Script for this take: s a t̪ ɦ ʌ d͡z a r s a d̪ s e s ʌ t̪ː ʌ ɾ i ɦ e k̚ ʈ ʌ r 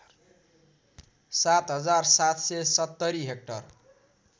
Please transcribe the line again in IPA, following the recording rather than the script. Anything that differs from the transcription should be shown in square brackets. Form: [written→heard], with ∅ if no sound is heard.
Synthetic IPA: s a t̪ ɦ ʌ d͡z a r s a [d̪→t̪] s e s ʌ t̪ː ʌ ɾ i ɦ e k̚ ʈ ʌ r